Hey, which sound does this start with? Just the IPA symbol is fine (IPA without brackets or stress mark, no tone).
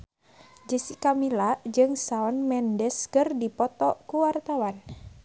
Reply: d͡ʒ